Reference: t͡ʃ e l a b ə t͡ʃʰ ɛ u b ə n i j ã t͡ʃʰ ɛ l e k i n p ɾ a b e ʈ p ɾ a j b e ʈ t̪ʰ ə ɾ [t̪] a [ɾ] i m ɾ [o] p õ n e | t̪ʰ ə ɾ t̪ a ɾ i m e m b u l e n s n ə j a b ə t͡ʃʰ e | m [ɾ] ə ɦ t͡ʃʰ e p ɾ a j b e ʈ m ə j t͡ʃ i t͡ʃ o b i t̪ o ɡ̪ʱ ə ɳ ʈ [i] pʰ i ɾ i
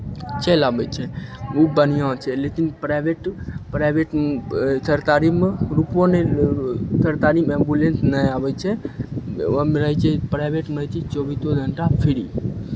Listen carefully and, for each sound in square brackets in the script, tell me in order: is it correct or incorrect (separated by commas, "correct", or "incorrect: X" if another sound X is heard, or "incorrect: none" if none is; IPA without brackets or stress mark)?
correct, correct, incorrect: u, correct, incorrect: a